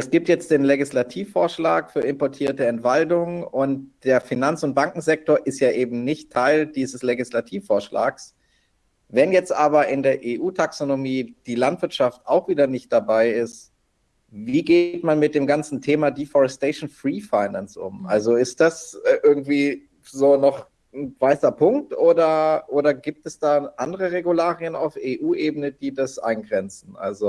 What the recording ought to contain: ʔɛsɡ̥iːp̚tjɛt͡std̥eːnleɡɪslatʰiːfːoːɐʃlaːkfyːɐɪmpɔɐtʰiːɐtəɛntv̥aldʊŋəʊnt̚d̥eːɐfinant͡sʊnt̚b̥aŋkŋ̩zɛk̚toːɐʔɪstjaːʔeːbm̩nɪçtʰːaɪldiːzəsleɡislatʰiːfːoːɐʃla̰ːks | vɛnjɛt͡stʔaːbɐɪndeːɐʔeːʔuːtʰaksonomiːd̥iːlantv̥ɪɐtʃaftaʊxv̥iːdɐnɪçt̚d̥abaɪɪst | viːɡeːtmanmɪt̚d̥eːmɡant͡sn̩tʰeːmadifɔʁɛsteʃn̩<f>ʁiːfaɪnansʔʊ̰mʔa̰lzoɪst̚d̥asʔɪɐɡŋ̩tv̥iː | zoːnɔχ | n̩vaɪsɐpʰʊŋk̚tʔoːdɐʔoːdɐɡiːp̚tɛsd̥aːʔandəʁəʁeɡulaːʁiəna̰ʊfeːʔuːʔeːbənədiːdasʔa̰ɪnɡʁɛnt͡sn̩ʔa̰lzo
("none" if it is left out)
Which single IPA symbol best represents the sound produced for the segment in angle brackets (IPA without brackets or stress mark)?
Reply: f